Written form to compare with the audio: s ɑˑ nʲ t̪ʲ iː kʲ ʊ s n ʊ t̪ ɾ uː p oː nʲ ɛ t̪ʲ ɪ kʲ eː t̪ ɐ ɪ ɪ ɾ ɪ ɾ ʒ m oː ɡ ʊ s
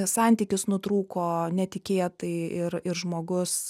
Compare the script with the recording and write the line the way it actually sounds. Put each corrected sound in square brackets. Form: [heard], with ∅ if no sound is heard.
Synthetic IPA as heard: s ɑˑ nʲ t̪ʲ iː kʲ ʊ s n ʊ t̪ ɾ uː [k] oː nʲ ɛ t̪ʲ ɪ kʲ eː t̪ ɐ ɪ ɪ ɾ ɪ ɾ ʒ m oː ɡ ʊ s